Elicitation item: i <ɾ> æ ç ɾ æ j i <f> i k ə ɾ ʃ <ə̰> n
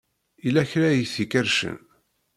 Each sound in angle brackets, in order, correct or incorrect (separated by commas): incorrect, incorrect, correct